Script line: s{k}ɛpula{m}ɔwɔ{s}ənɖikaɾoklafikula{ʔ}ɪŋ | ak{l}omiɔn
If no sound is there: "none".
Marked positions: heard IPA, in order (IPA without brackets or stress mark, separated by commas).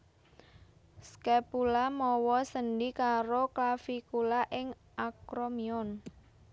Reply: k, m, s, ʔ, ɾ